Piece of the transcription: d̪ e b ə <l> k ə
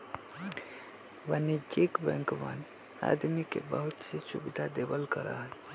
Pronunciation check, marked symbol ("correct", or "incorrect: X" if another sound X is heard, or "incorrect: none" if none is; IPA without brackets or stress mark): correct